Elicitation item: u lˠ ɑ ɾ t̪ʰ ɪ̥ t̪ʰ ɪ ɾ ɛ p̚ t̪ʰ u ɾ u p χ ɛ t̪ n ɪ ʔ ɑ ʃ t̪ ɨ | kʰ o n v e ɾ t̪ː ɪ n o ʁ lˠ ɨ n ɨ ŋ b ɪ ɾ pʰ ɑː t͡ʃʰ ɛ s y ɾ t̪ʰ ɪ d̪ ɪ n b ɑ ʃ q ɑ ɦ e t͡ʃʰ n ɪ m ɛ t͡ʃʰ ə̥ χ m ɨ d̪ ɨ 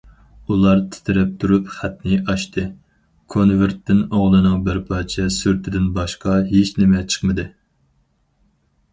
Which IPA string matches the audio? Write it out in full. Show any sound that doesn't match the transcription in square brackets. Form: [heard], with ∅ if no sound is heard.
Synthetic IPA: u lˠ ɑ ɾ t̪ʰ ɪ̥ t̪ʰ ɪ ɾ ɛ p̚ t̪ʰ u ɾ u p χ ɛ t̪ n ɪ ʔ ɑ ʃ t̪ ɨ | kʰ o n v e ɾ t̪ː ɪ n o ʁ lˠ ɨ n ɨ ŋ b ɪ ɾ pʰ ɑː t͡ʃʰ ɛ s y ɾ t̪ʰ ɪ d̪ ɪ n b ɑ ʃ q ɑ ɦ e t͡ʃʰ n ɪ m ɛ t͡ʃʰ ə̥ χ m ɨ d̪ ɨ